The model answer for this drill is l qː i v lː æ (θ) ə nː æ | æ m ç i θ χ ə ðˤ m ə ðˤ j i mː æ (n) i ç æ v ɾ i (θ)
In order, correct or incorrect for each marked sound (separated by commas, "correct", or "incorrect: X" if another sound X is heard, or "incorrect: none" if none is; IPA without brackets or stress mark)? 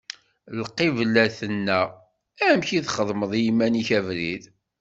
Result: correct, correct, incorrect: ð